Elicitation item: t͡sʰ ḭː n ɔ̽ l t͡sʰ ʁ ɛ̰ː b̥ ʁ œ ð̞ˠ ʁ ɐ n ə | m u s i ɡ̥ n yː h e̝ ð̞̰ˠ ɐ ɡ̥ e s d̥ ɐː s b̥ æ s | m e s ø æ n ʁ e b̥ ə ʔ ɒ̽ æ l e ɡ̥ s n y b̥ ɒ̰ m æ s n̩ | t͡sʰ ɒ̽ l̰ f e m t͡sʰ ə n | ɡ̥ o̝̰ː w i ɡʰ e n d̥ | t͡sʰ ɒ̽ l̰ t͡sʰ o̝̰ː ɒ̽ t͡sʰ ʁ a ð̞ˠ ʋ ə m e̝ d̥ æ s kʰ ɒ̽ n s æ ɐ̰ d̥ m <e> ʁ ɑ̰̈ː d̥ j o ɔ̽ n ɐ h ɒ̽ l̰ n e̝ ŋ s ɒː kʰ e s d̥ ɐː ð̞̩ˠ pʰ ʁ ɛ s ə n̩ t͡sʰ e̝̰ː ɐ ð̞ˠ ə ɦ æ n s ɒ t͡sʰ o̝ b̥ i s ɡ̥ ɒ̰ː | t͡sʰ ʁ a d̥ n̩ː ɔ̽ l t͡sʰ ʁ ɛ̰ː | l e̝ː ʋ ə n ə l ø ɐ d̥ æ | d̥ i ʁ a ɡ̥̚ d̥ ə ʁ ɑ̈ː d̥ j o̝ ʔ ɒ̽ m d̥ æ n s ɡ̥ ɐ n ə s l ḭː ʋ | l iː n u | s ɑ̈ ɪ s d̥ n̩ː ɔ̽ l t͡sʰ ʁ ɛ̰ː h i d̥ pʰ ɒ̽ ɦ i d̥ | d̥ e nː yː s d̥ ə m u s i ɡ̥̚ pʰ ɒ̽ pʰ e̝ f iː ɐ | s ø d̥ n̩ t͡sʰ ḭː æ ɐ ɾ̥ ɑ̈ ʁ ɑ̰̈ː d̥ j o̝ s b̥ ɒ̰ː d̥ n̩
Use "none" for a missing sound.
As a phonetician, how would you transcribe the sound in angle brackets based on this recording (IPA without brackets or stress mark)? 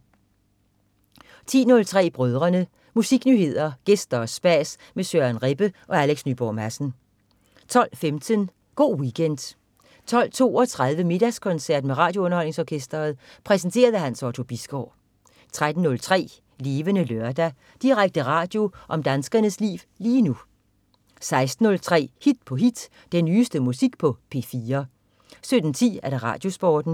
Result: e